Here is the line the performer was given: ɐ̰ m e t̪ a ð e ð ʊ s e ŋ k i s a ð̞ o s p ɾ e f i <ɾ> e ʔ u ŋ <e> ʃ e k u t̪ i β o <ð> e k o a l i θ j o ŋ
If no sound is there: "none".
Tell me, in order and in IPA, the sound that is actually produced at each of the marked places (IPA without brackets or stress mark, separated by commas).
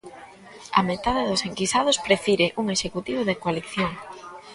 ɾ, e, ð